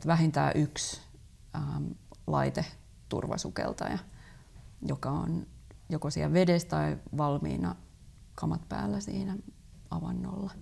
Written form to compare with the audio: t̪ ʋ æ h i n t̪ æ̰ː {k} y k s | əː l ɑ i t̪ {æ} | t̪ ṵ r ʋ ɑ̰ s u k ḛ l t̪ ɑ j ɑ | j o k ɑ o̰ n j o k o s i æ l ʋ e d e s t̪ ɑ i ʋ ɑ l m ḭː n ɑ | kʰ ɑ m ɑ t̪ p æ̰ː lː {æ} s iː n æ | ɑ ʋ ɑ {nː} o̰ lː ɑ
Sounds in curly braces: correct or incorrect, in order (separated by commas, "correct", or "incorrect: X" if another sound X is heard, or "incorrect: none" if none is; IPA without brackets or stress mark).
incorrect: ʔ, incorrect: e, correct, correct